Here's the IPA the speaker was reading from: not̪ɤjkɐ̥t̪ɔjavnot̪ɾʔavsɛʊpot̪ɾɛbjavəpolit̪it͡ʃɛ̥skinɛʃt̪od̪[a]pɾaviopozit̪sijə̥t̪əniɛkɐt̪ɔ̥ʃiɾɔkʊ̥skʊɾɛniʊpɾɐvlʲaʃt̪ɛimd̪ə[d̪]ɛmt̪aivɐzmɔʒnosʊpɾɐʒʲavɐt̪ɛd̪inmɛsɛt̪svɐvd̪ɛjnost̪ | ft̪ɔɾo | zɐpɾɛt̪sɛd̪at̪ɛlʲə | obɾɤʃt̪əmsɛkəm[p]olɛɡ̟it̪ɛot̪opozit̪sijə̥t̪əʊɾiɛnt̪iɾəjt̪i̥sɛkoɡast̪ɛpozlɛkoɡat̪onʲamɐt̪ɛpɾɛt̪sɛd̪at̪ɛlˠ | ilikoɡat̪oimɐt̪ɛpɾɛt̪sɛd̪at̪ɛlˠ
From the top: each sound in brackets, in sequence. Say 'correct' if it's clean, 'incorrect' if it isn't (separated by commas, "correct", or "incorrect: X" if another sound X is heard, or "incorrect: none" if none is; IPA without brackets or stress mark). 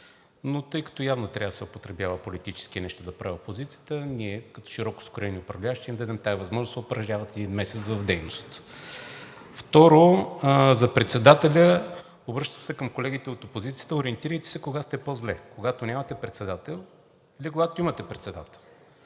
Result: incorrect: ɐ, correct, incorrect: k